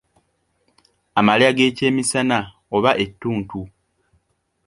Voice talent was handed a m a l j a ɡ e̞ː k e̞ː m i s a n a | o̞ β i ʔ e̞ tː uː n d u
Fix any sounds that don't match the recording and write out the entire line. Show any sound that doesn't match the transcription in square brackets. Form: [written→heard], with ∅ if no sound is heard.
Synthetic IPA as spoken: a m a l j a ɡ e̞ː [k→c] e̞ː m i s a n a | o̞ β [i→a] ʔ e̞ tː uː n [d→t] u